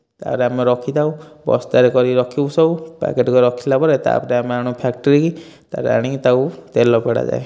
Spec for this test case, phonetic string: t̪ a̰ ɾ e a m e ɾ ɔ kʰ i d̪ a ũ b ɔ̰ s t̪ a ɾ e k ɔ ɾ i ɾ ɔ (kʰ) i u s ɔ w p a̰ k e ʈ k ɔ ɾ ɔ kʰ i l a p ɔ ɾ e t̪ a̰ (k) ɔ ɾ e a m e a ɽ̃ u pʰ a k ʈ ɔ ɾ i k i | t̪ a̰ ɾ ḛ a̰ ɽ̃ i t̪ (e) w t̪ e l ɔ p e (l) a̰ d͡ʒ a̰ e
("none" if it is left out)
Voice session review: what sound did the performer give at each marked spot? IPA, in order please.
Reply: kʰ, p, a, ɽ

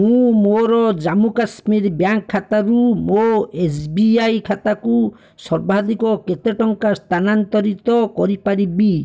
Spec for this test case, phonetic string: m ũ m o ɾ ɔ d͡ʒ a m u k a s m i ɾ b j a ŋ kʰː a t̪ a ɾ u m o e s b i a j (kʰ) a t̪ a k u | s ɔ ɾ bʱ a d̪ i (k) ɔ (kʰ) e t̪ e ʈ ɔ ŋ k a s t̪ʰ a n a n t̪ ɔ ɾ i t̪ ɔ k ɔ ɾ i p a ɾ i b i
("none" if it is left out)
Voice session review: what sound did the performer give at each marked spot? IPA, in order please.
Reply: kʰ, k, k

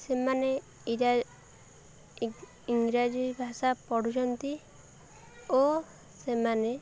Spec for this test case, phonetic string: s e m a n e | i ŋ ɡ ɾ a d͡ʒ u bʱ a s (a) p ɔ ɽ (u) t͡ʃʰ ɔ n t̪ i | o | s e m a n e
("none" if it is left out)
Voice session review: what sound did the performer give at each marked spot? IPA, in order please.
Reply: a, u

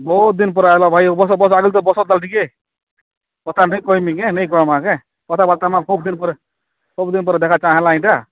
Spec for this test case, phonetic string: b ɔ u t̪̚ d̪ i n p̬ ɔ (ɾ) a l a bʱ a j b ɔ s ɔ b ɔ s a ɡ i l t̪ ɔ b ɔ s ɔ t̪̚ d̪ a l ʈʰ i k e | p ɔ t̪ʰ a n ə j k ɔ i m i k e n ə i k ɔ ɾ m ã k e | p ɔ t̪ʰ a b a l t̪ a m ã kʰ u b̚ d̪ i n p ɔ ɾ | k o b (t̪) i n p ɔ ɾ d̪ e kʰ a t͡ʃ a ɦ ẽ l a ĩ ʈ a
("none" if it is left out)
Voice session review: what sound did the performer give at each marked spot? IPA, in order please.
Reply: ɾ, d̪

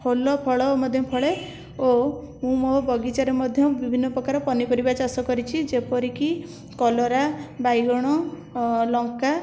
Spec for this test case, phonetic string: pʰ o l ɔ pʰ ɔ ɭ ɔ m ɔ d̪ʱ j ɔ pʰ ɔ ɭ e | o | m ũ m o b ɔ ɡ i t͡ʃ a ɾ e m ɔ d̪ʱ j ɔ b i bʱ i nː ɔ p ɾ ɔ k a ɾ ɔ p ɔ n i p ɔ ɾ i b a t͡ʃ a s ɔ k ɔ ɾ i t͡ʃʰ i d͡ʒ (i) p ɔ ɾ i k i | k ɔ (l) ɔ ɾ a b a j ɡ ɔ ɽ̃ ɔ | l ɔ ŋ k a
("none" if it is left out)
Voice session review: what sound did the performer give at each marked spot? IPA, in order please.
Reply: e, l

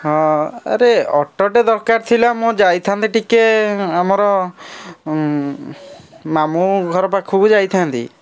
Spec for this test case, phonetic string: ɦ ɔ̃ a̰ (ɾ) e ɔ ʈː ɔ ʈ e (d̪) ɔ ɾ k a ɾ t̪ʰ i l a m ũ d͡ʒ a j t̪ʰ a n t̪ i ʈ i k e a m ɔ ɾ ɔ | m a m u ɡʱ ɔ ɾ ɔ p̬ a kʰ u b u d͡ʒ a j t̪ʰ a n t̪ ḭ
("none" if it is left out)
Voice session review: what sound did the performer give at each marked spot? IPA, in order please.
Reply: ɾ, d̪

